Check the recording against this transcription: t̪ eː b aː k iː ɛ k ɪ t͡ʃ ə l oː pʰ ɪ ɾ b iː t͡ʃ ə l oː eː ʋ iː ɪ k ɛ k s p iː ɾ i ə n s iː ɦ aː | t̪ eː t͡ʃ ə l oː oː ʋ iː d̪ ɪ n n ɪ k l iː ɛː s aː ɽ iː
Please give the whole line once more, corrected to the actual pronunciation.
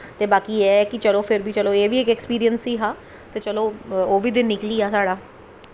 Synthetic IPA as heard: t̪ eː b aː k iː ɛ k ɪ t͡ʃ ə l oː pʰ ɪ ɾ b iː t͡ʃ ə l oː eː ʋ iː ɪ k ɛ k s p iː ɾ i ə n s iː ɦ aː | t̪ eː t͡ʃ ə l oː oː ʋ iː d̪ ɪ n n ɪ k l iː aː s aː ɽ aː